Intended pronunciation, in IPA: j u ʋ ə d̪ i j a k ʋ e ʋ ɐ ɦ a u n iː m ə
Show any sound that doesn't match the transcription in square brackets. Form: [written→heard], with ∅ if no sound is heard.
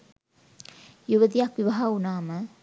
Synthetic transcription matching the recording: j u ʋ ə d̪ i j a k ʋ [e→i] ʋ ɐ ɦ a u n [iː→aː] m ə